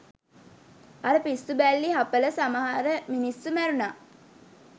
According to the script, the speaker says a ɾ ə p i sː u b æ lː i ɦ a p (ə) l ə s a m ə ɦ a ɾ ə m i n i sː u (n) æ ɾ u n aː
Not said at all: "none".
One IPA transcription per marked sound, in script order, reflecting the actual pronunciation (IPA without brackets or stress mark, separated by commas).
ə, m